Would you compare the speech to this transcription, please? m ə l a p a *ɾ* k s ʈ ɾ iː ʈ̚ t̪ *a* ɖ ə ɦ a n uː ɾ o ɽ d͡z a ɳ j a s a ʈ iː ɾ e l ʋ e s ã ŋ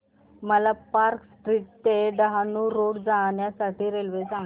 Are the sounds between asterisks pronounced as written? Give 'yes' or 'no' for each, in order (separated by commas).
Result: yes, no